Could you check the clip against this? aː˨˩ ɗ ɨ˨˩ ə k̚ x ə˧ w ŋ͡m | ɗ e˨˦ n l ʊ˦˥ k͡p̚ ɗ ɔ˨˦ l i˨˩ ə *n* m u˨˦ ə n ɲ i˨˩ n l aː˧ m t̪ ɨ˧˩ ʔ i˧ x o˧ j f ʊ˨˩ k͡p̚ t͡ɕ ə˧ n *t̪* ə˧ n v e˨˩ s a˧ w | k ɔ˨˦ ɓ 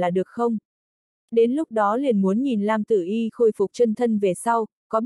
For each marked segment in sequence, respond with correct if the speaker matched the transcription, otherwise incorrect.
correct, incorrect

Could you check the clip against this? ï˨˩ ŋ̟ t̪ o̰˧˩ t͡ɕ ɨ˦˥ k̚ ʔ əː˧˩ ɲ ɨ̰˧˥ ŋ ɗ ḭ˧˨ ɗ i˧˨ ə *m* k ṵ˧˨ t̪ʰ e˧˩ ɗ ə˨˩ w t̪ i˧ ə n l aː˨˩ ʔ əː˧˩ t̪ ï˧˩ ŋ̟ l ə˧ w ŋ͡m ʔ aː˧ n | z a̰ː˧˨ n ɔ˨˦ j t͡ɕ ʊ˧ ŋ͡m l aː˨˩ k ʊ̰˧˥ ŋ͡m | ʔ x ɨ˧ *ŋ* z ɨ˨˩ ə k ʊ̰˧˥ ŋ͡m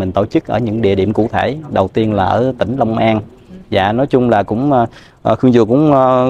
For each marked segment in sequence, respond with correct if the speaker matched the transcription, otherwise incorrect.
correct, correct

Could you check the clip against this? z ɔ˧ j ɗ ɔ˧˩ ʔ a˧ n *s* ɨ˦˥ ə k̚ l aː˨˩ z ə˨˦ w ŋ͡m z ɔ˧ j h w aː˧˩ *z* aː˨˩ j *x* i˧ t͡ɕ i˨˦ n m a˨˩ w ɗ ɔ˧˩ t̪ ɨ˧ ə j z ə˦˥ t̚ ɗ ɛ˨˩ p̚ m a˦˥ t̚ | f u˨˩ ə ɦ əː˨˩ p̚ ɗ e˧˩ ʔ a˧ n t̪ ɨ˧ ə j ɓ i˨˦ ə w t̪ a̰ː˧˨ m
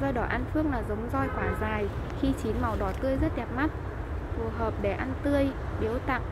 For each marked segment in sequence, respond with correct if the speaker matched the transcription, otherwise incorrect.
incorrect, correct, correct

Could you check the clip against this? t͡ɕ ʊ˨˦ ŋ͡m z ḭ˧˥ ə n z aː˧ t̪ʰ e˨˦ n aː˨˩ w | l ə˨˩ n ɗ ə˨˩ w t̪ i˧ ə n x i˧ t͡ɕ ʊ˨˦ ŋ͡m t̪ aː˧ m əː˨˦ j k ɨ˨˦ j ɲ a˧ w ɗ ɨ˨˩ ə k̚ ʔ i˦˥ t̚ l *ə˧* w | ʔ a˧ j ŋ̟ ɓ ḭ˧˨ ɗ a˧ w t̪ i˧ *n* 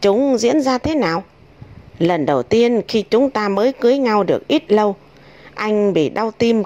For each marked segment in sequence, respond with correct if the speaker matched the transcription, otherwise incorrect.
correct, incorrect

